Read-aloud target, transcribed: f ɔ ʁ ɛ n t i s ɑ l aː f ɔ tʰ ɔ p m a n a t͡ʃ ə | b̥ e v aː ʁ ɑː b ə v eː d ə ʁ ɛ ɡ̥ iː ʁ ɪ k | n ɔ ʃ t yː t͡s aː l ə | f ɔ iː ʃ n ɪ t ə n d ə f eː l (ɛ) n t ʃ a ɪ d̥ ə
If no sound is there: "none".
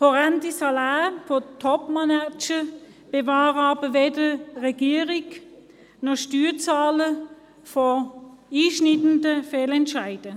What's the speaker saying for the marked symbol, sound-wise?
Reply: ɛ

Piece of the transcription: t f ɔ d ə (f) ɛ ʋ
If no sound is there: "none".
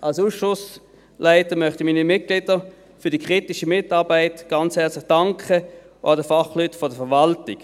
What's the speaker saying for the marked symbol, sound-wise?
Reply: f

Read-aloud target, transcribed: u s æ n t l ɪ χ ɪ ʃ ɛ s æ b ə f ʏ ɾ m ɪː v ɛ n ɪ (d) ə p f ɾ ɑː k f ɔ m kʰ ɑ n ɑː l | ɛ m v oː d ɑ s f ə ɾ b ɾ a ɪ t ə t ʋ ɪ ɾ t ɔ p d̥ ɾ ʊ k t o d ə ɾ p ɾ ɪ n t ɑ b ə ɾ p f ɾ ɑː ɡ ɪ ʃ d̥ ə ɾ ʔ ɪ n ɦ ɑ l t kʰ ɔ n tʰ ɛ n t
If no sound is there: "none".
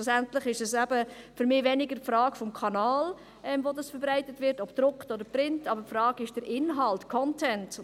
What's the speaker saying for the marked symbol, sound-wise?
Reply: ɡ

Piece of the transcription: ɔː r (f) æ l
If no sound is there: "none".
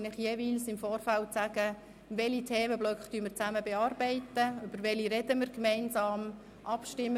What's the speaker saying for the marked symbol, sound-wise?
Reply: f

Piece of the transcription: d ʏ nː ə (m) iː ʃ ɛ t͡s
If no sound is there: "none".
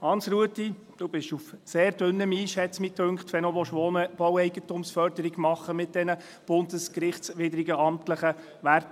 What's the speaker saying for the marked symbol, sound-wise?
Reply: m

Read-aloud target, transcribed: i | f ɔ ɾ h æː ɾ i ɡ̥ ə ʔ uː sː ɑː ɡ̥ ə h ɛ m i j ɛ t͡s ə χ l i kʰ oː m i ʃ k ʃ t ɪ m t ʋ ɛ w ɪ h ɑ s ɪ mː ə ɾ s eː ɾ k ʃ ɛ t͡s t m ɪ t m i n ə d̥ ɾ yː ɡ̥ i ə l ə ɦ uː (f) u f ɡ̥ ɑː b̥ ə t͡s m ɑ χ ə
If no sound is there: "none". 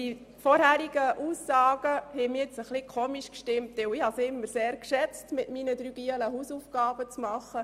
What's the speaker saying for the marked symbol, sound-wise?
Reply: s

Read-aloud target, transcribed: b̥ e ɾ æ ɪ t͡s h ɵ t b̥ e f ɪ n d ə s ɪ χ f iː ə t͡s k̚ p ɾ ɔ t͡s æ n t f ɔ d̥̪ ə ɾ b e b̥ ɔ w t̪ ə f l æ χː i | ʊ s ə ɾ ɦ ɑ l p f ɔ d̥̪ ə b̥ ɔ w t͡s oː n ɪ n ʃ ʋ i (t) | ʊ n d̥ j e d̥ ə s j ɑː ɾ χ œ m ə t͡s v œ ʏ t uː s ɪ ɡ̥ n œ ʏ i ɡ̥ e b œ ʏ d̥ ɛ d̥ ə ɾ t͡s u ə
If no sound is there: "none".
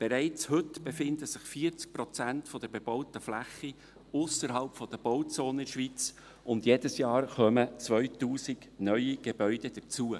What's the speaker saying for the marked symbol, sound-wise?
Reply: t͡s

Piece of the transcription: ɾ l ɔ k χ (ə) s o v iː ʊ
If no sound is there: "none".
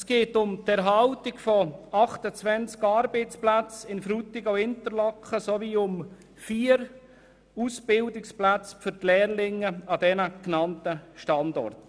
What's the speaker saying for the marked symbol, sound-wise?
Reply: ə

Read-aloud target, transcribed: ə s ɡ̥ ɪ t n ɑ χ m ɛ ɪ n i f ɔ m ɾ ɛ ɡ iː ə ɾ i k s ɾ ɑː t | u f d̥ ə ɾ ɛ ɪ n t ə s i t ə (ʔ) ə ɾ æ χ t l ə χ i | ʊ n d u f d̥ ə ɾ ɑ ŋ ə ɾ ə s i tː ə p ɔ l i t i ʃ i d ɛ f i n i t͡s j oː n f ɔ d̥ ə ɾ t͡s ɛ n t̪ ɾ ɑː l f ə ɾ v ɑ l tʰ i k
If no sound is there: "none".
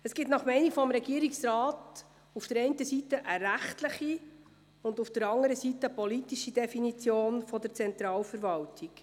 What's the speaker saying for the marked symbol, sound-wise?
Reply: ʔ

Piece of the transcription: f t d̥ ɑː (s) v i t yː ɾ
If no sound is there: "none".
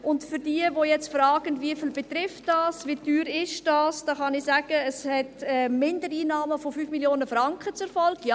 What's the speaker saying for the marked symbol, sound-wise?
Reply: s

